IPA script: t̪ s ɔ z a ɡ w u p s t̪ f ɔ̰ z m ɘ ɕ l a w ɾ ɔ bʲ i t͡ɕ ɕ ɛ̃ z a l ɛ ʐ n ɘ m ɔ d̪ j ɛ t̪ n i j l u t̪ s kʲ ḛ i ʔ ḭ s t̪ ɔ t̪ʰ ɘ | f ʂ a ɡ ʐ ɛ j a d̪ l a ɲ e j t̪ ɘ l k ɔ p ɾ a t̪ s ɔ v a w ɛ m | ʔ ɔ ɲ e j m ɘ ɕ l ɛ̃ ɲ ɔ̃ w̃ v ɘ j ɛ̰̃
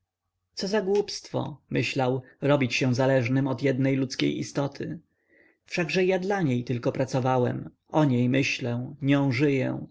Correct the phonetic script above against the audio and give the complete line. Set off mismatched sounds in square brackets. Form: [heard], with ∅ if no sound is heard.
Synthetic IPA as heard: t̪ s ɔ z a ɡ w u p s t̪ f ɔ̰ [∅] m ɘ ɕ l a w ɾ ɔ bʲ i t͡ɕ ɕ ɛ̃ z a l ɛ ʐ n ɘ m ɔ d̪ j ɛ [d̪] n [ɛ] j l u t̪ s kʲ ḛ [j] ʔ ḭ s t̪ ɔ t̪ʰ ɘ | f ʂ a ɡ ʐ ɛ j a d̪ l a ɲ e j t̪ ɘ l k ɔ p ɾ a t̪ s ɔ v a w ɛ m | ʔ ɔ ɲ e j m ɘ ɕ l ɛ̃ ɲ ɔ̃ w̃ [ʐ] ɘ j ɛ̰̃